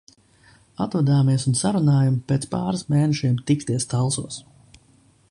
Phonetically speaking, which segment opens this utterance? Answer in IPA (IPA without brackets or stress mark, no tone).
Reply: a